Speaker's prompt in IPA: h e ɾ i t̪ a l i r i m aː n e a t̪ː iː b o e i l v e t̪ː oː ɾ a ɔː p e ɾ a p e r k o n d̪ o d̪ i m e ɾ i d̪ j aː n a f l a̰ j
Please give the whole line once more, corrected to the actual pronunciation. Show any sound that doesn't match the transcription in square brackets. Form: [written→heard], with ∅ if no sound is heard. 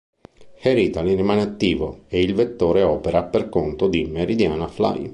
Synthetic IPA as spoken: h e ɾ i t̪ a l i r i m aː n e a t̪ː iː [b→v] o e i l v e t̪ː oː ɾ [a→e] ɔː p e ɾ a p e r k o n [d̪→t̪] o d̪ i m e ɾ i d̪ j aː n a f l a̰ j